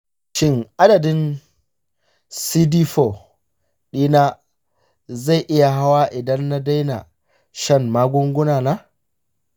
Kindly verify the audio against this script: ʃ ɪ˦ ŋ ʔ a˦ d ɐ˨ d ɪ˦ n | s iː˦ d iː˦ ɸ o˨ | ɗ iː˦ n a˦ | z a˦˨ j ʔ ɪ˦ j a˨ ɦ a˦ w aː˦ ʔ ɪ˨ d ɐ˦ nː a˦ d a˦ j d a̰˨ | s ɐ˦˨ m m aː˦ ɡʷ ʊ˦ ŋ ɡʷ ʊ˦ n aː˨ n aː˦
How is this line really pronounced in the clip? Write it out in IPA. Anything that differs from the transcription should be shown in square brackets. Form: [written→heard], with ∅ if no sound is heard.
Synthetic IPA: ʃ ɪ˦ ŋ ʔ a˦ d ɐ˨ d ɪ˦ n | s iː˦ d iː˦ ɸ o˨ | ɗ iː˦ n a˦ | z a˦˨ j ʔ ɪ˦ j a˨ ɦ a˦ w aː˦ ʔ ɪ˨ d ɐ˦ nː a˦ d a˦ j [d→n] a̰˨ | [s→ʃ] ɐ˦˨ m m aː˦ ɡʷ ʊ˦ ŋ ɡʷ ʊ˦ n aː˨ n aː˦